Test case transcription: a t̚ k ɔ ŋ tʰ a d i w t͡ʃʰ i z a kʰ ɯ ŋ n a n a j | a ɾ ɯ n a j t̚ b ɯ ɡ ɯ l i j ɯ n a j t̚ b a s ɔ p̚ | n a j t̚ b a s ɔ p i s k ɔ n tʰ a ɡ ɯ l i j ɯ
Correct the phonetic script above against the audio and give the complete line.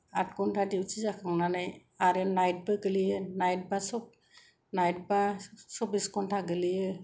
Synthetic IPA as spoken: a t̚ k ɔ n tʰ a d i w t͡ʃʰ i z a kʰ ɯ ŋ n a n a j | a ɾ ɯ n a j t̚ b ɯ ɡ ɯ l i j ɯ n a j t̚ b a s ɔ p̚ | n a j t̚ b a s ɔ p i s k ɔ n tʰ a ɡ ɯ l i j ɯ

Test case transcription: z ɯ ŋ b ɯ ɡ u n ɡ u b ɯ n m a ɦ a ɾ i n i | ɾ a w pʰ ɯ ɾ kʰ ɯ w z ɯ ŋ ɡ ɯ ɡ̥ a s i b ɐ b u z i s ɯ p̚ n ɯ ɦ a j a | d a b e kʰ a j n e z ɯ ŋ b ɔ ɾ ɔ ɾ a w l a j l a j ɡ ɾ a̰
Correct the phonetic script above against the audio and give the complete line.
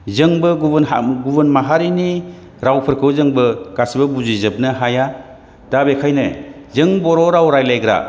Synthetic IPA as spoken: z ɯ ŋ b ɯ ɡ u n ɡ u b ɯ n m a ɦ a ɾ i n i | ɾ a w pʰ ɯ ɾ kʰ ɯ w z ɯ ŋ b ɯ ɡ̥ a s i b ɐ b u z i z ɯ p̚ n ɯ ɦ a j a | d a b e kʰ a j n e z ɯ ŋ b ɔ ɾ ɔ ɾ a w ɾ a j l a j ɡ ɾ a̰

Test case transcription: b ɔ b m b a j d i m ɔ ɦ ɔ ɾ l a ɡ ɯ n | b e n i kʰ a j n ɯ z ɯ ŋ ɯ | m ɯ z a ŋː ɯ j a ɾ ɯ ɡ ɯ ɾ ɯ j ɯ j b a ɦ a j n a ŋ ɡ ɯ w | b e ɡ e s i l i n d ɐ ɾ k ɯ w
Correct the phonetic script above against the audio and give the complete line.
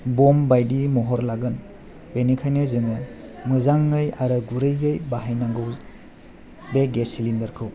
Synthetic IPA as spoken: b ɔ m b a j d i m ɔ ɦ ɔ ɾ l a ɡ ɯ n | b e n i kʰ a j n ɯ z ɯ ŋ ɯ | m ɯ z a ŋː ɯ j a ɾ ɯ ɡ u ɾ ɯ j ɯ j b a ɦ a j n a ŋ ɡ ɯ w | b e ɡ e s i l i n d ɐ ɾ kʰ ɯ w

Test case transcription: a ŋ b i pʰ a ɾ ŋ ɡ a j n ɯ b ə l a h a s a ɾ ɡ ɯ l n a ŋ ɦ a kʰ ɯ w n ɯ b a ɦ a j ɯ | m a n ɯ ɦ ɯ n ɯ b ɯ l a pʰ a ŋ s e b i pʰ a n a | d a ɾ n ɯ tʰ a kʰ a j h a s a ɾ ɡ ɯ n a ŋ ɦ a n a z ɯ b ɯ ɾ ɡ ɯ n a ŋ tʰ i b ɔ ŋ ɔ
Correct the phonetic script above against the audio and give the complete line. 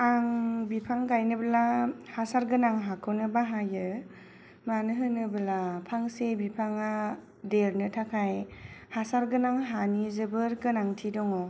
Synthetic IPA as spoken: a ŋ b i pʰ a ŋ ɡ a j n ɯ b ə l a h a s a ɾ ɡ ɯ n a ŋ ɦ a kʰ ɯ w n ɯ b a ɦ a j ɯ | m a n ɯ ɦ ɯ n ɯ b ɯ l a pʰ a ŋ s e b i pʰ a ŋ a | d e ɾ n ɯ tʰ a kʰ a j h a s a ɾ ɡ ɯ n a ŋ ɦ a n i z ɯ b ɯ ɾ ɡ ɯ n a ŋ tʰ i d ɔ ŋ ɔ

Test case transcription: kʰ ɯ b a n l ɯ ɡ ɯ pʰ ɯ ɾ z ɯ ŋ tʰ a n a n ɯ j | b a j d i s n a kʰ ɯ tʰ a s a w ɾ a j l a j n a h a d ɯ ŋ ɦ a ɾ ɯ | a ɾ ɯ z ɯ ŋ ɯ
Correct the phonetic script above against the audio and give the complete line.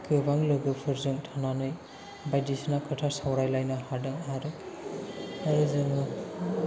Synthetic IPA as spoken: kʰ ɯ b a ŋ l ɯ ɡ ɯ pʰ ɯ ɾ z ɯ ŋ tʰ a n a n ɯ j | b a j d i s n a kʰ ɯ tʰ a s a w ɾ a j l a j n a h a d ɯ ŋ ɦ a ɾ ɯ | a ɾ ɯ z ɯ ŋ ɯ

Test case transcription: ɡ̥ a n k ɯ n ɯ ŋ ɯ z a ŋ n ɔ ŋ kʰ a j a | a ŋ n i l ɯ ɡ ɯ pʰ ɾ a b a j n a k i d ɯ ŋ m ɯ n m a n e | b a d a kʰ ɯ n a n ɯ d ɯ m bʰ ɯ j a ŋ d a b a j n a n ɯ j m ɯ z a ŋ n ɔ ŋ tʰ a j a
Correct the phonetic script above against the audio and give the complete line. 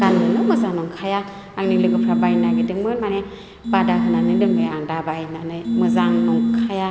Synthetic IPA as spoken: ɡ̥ a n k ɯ n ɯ m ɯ z a ŋ n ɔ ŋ kʰ a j a | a ŋ n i l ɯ ɡ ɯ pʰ ɾ a b a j n a ɡ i d ɯ ŋ m ɯ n m a n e | b a d a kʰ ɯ n a n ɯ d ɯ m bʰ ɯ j a ŋ d a b a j n a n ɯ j m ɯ z a ŋ n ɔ ŋ kʰ a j a

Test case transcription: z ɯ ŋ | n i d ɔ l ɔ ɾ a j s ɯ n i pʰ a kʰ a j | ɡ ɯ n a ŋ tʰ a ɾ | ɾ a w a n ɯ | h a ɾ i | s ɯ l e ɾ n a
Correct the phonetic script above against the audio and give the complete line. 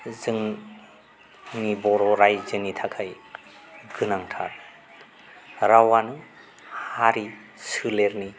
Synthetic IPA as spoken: z ɯ ŋ | n i b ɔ ɾ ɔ ɾ a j z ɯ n i tʰ a kʰ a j | ɡ ɯ n a ŋ tʰ a ɾ | ɾ a w a n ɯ | h a ɾ i | s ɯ l e ɾ n i

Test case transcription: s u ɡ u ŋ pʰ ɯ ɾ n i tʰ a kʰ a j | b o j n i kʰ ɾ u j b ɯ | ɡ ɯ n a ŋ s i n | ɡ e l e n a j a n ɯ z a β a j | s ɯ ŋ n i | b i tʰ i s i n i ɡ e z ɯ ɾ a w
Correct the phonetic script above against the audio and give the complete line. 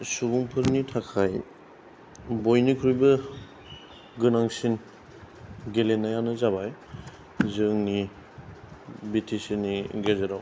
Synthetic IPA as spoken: s u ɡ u ŋ pʰ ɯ ɾ n i tʰ a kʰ a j | b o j n i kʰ ɾ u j b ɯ | ɡ ɯ n a ŋ s i n | ɡ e l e n a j a n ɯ z a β a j | z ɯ ŋ n i | b i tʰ i s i n i ɡ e z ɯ ɾ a w

